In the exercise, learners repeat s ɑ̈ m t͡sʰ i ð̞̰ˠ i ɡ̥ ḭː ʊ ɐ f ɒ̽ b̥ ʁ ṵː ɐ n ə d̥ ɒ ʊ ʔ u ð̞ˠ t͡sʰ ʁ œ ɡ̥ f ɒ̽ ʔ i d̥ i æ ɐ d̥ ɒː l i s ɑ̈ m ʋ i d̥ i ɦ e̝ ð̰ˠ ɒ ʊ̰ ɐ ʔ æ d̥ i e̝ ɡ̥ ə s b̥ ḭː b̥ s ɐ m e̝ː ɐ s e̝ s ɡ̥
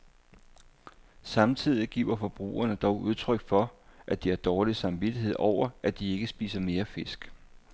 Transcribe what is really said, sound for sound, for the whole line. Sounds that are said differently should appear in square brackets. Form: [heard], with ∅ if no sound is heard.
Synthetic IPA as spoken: s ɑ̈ m t͡sʰ i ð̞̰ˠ i ɡ̥ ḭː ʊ ɐ f ɒ̽ b̥ ʁ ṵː ɐ n ə d̥ ɒ ʊ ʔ u ð̞ˠ t͡sʰ ʁ œ ɡ̥ f ɒ̽ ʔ [æ] d̥ i æ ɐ d̥ ɒː l i s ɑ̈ m ʋ i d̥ i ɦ e̝ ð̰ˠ ɒ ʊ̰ ɐ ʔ æ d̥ i e̝ ɡ̥ ə s b̥ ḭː [∅] s ɐ m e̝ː ɐ [f] e̝ s ɡ̥

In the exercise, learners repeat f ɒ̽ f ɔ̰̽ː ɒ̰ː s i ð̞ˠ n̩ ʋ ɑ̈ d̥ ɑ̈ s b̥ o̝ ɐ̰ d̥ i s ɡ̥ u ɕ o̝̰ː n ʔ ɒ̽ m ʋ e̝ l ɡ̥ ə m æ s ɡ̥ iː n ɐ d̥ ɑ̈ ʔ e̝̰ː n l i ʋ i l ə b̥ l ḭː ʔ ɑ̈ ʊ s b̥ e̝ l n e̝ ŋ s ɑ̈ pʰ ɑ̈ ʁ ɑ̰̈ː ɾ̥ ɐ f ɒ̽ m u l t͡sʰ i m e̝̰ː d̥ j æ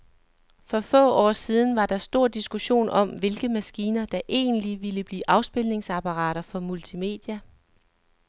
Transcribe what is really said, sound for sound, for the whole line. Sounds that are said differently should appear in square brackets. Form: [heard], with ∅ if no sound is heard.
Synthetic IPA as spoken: f ɒ̽ f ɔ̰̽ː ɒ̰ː s i ð̞ˠ n̩ ʋ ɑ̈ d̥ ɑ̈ s [d̥] o̝ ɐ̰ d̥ i s ɡ̥ u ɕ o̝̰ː n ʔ ɒ̽ m ʋ e̝ l ɡ̥ ə m æ s ɡ̥ iː n ɐ d̥ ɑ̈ ʔ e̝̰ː n l i ʋ i l ə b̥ l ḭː ʔ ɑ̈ ʊ s b̥ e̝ l n e̝ ŋ s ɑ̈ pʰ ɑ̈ ʁ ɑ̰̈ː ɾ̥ ɐ f ɒ̽ m u l t͡sʰ i m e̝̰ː d̥ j æ

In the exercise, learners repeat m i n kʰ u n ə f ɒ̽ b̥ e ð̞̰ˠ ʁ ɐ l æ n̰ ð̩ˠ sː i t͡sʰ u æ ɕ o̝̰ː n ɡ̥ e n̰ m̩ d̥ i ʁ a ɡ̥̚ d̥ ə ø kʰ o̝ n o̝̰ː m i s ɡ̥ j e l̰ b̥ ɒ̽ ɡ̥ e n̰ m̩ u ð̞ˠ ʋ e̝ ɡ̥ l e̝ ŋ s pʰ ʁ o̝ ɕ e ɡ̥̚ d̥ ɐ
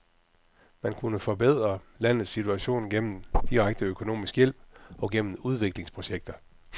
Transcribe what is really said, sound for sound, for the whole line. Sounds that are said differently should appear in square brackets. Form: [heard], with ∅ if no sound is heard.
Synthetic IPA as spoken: m [æ] n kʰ u n ə f ɒ̽ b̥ e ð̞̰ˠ ʁ ɐ l æ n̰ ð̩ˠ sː i t͡sʰ u æ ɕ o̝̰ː n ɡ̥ e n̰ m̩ d̥ i ʁ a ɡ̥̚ d̥ ə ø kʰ o̝ n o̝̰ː m i s ɡ̥ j e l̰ b̥ ɒ̽ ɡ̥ e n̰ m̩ u ð̞ˠ ʋ e̝ ɡ̥ l e̝ ŋ s pʰ ʁ o̝ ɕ e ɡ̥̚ d̥ ɐ

